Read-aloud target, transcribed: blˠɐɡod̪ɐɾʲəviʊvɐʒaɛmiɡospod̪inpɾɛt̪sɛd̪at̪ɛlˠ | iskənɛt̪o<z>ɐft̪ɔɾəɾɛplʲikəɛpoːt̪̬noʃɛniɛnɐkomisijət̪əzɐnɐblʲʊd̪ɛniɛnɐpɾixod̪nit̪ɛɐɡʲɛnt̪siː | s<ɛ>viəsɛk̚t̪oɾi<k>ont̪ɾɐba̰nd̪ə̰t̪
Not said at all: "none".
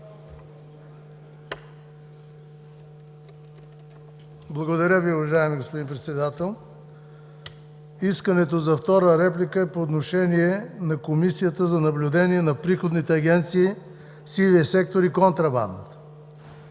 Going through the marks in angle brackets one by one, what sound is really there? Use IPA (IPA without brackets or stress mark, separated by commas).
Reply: z, i, k